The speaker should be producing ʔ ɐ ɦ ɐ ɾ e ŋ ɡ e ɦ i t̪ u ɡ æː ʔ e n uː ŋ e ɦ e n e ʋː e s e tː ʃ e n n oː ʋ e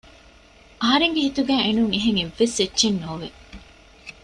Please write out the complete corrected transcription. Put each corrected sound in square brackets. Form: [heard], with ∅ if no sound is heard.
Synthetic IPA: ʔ ɐ ɦ ɐ ɾ e ŋ ɡ e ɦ i t̪ u ɡ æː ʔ e n [u] ŋ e ɦ e [ŋ] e ʋː e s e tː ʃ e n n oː ʋ e